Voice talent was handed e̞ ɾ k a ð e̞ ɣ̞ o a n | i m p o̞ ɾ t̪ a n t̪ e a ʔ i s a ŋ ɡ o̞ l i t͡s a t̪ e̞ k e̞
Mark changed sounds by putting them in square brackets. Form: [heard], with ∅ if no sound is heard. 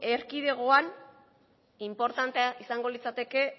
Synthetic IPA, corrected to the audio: e̞ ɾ k [i] ð e̞ ɣ̞ o a n | i m p o̞ ɾ t̪ a n t̪ e a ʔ i s a ŋ ɡ o̞ l i t͡s a t̪ e̞ k e̞